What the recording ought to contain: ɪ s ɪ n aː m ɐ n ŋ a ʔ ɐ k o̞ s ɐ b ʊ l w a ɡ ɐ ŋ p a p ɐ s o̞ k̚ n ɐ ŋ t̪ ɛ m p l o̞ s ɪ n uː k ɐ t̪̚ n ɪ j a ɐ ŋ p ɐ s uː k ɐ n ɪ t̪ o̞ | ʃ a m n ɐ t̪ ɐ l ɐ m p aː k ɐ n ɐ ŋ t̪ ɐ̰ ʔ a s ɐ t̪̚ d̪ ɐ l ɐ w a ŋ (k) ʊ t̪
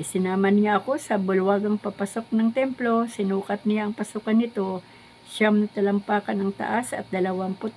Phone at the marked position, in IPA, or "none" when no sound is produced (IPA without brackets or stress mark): p